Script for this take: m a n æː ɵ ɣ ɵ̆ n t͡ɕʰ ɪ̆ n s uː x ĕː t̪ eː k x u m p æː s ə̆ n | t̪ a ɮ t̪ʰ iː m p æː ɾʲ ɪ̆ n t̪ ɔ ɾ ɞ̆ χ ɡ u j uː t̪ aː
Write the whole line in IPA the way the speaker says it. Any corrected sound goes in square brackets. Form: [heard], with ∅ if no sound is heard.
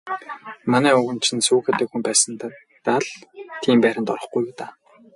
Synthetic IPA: m a n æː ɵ ɣ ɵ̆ n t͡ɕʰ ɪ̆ n s uː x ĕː t̪ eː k x u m p æː s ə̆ n | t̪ a ɮ t̪ʰ iː m p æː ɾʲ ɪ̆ n t̪ ɔ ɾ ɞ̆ χ ɡ u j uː t̪ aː